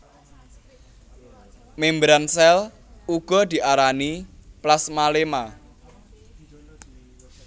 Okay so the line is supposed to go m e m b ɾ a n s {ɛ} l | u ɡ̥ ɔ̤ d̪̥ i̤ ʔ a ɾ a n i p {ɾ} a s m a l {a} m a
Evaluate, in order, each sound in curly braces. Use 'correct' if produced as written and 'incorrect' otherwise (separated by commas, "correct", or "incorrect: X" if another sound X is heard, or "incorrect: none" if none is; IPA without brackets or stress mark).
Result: correct, incorrect: l, incorrect: e